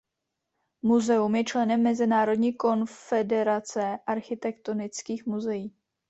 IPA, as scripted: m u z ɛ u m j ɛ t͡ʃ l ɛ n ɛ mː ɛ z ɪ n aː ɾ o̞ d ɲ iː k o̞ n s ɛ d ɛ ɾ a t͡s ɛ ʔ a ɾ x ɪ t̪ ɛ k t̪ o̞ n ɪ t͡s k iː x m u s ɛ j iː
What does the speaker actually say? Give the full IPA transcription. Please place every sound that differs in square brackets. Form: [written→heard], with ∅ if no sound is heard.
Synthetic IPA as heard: m u z ɛ u m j ɛ t͡ʃ l ɛ n ɛ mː ɛ z ɪ n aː ɾ o̞ d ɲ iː k o̞ n [s→f] ɛ d ɛ ɾ a t͡s ɛ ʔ a ɾ x ɪ t̪ ɛ k t̪ o̞ n ɪ t͡s k iː x m u [s→z] ɛ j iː